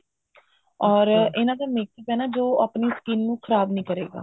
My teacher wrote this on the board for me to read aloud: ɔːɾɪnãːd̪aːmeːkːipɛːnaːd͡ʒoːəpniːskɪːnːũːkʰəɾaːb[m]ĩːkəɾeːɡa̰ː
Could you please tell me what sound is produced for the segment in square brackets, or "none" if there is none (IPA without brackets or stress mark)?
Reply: n